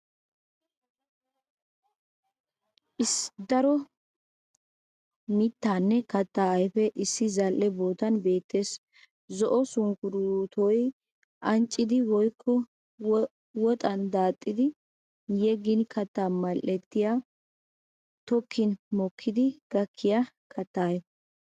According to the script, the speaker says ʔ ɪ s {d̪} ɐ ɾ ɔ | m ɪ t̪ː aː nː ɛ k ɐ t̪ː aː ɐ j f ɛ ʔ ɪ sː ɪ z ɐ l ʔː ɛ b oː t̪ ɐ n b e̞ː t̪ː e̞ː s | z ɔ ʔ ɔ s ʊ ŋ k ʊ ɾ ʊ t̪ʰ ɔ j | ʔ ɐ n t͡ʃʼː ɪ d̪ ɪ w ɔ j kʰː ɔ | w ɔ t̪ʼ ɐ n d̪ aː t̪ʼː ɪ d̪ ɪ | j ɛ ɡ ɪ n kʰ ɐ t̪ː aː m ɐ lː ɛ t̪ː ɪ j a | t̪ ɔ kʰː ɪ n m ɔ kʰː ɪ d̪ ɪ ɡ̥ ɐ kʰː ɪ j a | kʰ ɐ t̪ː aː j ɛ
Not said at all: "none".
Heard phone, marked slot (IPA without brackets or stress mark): d̪